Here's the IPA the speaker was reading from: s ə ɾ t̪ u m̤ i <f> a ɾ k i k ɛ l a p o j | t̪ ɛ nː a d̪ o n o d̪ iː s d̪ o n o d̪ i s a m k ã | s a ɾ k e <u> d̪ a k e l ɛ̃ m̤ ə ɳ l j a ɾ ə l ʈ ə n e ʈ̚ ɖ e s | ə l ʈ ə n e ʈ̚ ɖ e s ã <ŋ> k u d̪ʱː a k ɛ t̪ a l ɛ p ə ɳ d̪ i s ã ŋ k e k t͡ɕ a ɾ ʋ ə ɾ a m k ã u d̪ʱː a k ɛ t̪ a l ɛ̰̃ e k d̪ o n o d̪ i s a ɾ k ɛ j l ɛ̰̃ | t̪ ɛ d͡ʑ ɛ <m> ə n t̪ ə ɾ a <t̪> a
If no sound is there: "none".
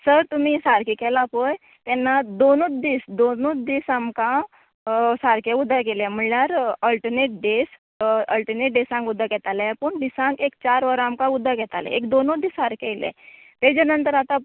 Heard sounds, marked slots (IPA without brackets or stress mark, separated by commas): s, u, ŋ, n, t̪